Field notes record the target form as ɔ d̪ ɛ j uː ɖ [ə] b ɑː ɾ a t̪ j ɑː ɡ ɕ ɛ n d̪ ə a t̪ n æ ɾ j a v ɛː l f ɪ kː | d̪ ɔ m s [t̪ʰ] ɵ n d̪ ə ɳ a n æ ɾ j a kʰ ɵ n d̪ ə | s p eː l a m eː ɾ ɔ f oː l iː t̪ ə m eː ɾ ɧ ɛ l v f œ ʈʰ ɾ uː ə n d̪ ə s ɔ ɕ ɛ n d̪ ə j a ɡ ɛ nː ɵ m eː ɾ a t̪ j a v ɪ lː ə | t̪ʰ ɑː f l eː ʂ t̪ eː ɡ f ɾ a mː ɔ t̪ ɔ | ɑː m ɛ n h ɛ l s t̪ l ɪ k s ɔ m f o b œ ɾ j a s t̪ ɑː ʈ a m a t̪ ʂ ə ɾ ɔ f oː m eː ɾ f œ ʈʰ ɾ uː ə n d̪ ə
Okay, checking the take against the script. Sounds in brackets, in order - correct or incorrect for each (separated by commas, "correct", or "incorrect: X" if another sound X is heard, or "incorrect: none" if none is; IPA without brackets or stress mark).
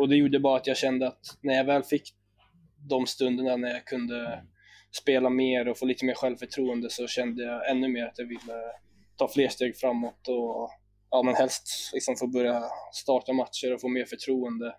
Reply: correct, incorrect: t̪